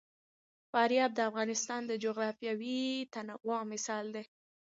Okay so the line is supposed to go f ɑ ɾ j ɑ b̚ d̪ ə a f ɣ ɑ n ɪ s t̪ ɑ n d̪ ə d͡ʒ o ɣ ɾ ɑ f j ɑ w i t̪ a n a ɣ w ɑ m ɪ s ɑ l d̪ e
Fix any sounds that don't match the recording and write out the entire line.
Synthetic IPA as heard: f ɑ ɾ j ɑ b̚ d̪ ə a f ɣ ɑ n ɪ s t̪ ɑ n d̪ ə d͡ʒ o ɣ ɾ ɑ f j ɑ w i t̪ a n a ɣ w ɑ m ɪ s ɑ l d̪ e